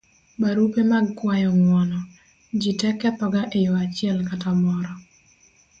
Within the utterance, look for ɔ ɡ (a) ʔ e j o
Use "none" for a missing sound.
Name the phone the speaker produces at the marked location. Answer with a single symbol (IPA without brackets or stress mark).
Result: a